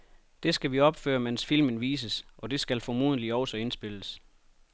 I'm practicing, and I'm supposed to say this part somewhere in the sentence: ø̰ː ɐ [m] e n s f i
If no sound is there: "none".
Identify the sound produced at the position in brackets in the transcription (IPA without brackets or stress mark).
m